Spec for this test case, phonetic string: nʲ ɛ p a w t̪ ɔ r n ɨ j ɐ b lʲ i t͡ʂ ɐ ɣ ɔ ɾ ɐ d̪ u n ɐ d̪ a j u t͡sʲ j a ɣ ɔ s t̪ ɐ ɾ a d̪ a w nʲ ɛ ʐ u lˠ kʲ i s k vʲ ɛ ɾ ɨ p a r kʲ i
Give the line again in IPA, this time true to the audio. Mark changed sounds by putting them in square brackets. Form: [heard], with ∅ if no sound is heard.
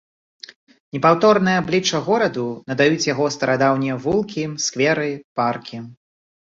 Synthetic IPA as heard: nʲ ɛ p a w t̪ ɔ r n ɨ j ɐ b lʲ i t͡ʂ ɐ ɣ ɔ ɾ ɐ d̪ u n ɐ d̪ a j u t͡sʲ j a ɣ ɔ s t̪ ɐ ɾ a d̪ a w nʲ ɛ [v] u lˠ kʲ i s k vʲ ɛ ɾ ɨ p a r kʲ i